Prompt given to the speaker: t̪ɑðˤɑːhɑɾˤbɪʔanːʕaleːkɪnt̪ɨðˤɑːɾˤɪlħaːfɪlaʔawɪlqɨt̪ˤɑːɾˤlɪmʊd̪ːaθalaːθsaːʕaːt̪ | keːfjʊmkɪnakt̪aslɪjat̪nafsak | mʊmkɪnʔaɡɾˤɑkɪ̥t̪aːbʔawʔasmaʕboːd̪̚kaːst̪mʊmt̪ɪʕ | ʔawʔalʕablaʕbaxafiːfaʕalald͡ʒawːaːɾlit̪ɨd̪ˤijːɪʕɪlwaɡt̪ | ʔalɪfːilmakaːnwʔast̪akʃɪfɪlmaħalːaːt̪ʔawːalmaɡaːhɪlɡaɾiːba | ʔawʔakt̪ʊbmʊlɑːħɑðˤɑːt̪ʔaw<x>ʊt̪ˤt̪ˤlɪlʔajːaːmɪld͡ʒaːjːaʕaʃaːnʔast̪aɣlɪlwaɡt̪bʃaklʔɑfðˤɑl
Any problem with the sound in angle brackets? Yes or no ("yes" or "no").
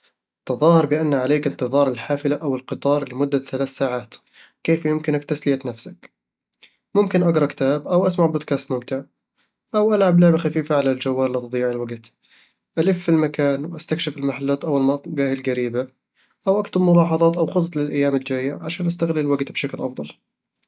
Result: no